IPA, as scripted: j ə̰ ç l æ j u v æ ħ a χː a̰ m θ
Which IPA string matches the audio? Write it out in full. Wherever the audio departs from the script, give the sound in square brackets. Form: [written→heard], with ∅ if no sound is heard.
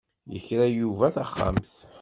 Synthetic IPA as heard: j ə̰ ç [l→ɾ] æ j u v æ [ħ→θ] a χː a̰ m θ